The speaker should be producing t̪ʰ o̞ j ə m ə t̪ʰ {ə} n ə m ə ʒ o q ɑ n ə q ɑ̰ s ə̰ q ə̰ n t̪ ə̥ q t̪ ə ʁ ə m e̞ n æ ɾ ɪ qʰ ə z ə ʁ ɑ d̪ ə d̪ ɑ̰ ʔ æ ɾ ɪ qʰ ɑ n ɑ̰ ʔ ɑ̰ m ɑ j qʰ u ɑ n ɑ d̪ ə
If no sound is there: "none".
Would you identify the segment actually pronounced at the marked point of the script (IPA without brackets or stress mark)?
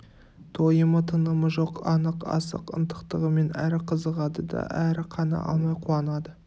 ə